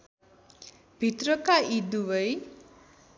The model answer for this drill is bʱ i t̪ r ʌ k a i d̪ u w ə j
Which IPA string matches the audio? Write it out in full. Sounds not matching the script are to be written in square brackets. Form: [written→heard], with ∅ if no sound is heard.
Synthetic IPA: bʱ i t̪ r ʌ k a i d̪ u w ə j